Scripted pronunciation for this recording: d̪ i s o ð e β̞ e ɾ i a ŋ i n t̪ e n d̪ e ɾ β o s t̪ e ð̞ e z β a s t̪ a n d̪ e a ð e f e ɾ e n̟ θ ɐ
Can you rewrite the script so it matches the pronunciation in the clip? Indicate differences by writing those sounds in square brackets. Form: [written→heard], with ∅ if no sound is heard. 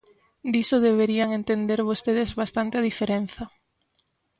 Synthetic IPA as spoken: d̪ i s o ð e β̞ e ɾ i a ŋ [i→e] n t̪ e n d̪ e ɾ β o s t̪ e ð̞ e z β a s t̪ a n [d̪→t̪] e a ð [e→i] f e ɾ e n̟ θ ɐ